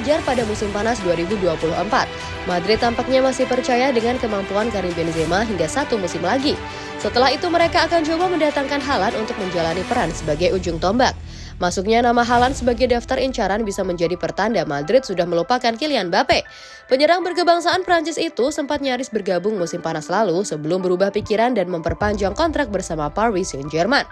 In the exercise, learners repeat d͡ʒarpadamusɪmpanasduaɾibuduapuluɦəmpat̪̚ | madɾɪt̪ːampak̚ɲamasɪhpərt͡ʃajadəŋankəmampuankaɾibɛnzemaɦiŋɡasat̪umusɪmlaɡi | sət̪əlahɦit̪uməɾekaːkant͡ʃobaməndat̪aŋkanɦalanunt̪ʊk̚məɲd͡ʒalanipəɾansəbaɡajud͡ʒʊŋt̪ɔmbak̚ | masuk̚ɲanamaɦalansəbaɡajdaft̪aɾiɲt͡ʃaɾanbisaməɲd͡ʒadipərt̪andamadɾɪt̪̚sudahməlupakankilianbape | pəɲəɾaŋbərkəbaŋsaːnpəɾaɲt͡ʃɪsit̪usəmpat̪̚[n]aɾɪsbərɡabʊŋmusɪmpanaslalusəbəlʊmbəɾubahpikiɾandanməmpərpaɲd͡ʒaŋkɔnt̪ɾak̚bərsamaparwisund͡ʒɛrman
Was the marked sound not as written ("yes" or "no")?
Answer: yes